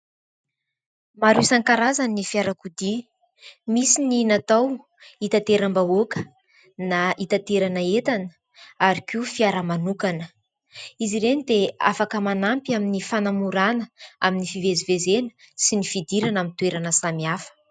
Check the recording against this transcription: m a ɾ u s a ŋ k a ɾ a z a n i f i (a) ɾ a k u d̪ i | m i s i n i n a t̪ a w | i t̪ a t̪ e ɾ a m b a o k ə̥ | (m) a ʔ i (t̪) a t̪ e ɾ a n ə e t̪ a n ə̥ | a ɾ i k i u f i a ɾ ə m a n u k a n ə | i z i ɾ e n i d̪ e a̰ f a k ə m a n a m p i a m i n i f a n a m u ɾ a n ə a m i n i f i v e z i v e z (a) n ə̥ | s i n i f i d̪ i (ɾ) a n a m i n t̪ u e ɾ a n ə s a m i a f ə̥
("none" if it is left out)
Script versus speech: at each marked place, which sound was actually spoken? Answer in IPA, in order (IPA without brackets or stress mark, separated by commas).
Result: a, n, t̪, e, ɾ